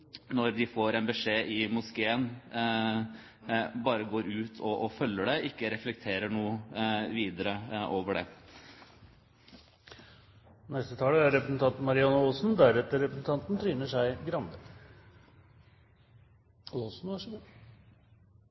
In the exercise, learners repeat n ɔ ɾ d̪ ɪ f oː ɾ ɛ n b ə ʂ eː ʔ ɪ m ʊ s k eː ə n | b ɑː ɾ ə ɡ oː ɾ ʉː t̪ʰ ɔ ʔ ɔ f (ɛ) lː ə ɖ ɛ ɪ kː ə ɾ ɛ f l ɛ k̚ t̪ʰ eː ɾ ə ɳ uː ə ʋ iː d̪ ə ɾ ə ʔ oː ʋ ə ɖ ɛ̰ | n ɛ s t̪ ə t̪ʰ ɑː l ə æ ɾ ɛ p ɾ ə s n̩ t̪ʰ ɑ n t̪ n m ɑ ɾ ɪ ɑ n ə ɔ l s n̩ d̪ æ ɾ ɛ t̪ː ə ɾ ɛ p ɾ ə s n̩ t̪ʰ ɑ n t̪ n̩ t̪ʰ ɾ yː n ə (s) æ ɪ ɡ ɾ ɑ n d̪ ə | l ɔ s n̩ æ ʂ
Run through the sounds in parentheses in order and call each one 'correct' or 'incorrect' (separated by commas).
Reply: incorrect, incorrect